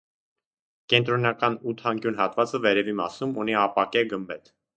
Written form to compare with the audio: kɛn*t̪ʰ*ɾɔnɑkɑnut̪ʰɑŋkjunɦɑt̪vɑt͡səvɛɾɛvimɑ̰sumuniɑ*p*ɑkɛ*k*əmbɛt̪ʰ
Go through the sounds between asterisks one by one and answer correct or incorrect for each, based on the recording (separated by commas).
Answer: incorrect, correct, incorrect